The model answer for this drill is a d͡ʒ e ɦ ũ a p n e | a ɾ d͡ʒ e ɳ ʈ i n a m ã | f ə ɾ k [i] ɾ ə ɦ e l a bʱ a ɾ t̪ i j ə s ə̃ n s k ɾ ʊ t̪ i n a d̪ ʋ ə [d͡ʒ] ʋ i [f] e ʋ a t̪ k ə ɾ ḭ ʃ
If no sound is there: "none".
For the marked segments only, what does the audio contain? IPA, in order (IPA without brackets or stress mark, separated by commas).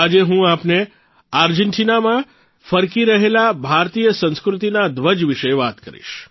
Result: i, d͡ʒ, ʃ